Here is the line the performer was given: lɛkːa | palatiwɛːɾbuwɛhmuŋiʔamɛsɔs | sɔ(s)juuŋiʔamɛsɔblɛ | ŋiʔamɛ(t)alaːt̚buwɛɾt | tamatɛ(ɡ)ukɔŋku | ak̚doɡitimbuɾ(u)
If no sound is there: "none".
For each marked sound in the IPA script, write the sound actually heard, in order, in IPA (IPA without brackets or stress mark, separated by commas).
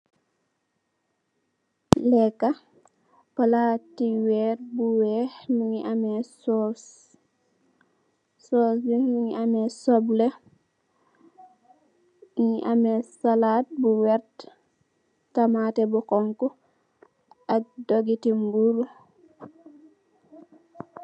s, s, b, u